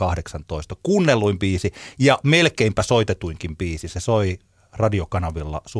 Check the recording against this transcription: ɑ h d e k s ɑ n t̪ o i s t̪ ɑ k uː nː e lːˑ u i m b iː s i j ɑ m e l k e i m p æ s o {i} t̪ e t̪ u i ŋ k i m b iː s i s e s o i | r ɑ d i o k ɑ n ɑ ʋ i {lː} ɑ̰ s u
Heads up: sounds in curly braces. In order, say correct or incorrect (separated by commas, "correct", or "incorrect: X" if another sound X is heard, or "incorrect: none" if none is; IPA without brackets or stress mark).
correct, correct